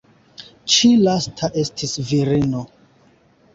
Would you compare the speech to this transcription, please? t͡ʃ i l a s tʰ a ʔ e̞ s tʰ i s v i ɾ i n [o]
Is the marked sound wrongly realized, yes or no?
no